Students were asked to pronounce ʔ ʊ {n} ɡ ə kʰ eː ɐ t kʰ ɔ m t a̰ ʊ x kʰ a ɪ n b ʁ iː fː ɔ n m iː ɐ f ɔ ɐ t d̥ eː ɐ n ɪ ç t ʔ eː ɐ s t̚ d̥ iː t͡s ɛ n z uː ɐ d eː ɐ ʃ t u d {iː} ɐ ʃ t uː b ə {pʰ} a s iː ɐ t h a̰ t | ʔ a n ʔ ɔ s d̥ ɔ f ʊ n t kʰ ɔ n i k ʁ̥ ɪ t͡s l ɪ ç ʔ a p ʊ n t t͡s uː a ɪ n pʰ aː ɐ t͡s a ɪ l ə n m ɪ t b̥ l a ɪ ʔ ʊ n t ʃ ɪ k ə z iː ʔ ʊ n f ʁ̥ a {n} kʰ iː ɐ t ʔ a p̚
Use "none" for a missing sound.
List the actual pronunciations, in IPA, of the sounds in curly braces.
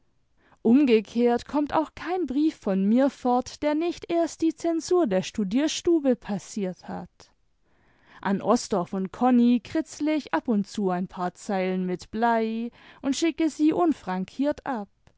m, iː, pʰ, ŋ

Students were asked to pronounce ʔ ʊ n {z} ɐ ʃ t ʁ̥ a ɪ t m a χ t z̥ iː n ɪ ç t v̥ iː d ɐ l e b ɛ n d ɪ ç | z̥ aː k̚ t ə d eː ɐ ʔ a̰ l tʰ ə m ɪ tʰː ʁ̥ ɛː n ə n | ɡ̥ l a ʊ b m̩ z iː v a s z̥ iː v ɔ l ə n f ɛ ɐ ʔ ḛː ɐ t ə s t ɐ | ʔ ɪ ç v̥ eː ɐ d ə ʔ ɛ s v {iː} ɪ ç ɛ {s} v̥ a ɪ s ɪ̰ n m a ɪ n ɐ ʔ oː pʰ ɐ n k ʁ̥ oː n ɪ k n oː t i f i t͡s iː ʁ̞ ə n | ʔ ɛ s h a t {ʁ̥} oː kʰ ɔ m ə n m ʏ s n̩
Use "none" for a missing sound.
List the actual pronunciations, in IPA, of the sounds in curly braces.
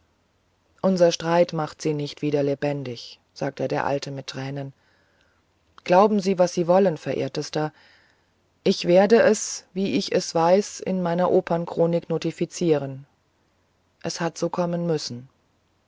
z, iː, s, z̥

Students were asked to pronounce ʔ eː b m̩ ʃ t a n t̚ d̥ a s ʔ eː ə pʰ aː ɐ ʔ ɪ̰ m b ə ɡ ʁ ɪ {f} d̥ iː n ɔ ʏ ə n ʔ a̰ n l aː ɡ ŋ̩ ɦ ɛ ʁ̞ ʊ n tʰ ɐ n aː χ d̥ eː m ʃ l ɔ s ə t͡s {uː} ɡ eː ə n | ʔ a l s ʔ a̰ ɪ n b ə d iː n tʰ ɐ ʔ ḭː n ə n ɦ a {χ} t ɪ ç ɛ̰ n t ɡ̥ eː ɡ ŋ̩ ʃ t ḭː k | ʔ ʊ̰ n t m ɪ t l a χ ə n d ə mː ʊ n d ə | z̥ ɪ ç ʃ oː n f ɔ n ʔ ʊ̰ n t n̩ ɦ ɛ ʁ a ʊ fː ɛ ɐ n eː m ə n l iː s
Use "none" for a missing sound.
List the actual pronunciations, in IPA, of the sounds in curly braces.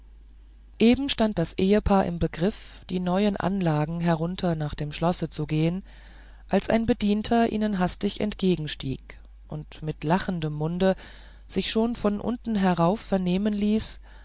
f, u, s

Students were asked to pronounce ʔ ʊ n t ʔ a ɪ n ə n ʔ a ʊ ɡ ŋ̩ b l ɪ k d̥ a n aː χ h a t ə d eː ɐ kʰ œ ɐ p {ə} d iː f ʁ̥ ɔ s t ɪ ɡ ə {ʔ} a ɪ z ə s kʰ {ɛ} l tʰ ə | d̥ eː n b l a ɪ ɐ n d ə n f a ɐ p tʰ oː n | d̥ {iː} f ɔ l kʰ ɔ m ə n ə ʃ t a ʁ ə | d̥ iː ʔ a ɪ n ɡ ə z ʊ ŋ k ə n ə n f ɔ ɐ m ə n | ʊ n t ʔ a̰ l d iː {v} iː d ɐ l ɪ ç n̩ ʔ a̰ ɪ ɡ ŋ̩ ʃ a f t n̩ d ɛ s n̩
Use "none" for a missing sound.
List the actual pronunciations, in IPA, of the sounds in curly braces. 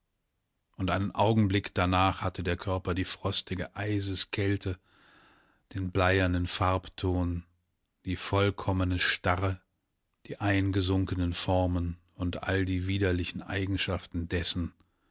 ɐ, ʔ, ɛ, iː, v

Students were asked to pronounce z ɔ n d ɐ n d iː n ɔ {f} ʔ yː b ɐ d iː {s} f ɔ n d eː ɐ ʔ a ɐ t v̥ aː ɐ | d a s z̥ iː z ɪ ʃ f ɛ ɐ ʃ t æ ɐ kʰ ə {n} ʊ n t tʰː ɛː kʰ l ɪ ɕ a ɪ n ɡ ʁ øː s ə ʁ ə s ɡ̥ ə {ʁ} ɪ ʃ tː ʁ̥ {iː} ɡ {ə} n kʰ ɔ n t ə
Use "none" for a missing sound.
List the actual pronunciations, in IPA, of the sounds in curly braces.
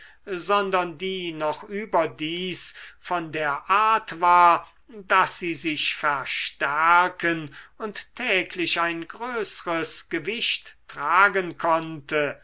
χ, s, n, v, aː, ə

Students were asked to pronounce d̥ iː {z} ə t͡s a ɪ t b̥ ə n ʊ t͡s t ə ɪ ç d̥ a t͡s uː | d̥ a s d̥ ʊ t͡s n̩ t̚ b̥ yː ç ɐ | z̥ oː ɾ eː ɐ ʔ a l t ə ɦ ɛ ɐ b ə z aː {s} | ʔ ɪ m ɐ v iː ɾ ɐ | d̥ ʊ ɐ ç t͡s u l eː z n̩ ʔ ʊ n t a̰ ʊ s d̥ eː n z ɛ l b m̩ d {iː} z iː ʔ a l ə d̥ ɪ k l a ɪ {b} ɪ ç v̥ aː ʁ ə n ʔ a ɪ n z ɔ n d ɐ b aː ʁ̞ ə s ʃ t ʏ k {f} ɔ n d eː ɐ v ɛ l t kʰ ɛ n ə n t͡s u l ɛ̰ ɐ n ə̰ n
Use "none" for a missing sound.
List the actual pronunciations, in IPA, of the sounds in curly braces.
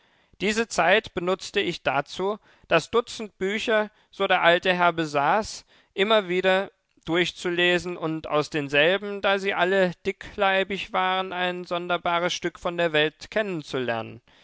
z, s, aː, b, f

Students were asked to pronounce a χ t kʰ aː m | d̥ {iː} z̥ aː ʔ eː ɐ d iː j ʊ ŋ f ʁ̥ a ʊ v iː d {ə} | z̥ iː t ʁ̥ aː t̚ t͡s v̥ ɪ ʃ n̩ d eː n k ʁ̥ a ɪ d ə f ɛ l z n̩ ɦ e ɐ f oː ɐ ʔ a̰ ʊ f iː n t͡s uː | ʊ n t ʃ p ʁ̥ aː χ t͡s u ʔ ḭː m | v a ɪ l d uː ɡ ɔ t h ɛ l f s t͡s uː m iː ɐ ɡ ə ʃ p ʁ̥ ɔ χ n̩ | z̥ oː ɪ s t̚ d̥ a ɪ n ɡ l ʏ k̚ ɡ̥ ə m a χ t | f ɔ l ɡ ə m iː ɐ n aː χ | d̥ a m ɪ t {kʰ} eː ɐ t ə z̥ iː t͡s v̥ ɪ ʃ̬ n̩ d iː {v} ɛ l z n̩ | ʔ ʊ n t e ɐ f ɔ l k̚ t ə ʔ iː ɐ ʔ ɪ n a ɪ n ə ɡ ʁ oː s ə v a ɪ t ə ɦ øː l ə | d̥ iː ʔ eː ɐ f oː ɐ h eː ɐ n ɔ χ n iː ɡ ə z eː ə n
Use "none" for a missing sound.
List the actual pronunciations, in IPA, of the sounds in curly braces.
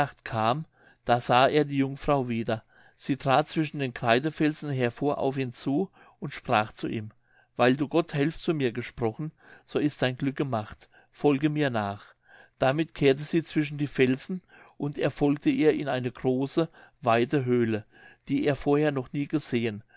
aː, ɐ, kʰ, f

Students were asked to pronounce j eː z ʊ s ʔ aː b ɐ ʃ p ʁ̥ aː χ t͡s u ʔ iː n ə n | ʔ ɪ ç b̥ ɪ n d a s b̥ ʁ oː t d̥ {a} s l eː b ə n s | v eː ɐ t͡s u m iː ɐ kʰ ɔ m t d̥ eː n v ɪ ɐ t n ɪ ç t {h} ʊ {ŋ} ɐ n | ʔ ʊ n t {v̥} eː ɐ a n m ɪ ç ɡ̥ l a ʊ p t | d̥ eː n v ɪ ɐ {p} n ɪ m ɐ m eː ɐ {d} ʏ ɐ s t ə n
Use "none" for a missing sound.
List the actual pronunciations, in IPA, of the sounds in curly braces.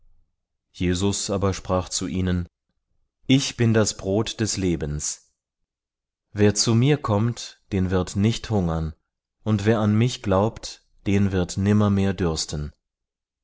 ɛ, h, ŋ, v̥, t, d

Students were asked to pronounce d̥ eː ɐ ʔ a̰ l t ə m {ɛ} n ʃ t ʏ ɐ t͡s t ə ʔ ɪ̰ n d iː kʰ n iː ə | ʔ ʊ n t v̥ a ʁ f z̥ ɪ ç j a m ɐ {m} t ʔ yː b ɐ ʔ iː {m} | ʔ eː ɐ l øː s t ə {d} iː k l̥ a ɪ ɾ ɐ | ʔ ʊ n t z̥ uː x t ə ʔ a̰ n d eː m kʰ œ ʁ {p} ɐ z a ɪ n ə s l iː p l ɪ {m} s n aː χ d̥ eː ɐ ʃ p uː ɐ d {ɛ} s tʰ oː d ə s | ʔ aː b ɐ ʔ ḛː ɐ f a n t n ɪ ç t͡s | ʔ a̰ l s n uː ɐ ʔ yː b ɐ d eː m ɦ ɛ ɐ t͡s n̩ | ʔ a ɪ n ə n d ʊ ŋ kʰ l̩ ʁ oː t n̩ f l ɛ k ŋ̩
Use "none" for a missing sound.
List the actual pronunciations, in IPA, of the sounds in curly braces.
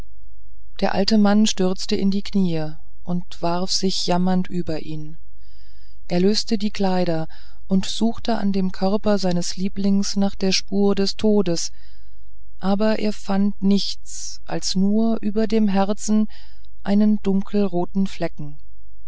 a, n, n, d, p, ŋ, ɛ

